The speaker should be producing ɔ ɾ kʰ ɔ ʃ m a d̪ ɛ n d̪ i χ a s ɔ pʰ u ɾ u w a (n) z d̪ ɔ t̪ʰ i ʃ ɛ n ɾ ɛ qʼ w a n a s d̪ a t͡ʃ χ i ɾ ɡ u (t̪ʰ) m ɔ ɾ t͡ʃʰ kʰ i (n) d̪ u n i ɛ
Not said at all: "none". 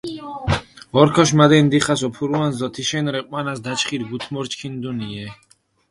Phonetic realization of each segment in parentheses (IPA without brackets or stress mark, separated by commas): n, t̪ʰ, n